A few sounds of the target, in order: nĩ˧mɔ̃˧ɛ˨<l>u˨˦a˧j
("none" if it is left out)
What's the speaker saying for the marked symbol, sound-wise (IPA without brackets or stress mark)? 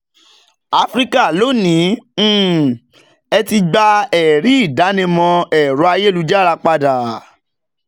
ɾ